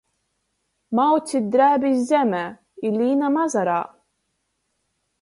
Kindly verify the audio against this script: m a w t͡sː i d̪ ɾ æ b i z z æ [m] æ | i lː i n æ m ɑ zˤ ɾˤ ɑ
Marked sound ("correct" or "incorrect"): correct